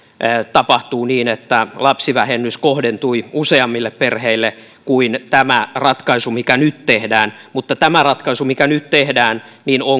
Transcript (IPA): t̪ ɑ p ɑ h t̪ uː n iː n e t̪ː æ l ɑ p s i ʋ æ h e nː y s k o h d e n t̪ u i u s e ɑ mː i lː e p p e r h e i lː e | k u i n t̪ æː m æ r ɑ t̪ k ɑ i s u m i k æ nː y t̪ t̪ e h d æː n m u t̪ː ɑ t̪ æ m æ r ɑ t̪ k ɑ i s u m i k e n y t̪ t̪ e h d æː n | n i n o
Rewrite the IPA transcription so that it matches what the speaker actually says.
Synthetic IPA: t̪ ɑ p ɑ h t̪ uː n iː n e t̪ː æ l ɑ p s i ʋ æ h e nː y s k o h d e n t̪ u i u s e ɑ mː i lː e p p e r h e i lː e | k u i n t̪ æ m æ r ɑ t̪ k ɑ i s u m i k æ n y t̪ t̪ e h d æː n m u t̪ː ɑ t̪ æ m æ r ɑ t̪ k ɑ i s u m i k æ n y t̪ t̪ e h d æː n | n i n o